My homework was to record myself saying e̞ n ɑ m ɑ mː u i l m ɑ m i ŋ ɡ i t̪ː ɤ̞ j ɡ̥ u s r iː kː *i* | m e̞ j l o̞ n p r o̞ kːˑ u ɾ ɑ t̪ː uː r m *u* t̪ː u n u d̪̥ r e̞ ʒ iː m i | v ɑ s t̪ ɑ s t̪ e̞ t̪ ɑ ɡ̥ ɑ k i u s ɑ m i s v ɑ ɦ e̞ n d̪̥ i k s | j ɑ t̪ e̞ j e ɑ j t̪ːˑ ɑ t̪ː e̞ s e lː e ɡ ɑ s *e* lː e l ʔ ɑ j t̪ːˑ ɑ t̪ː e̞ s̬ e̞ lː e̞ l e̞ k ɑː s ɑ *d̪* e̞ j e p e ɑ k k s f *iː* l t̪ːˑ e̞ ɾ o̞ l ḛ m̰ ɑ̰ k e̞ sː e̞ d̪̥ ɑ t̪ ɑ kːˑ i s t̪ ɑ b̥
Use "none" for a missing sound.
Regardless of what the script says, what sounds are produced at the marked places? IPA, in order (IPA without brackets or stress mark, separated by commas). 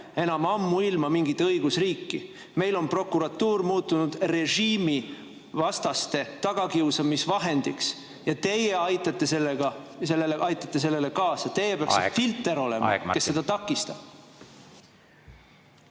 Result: i, uː, e, t̪, i